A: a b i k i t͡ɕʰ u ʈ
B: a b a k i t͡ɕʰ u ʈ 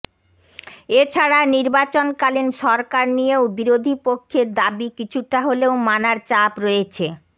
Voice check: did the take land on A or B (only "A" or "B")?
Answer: A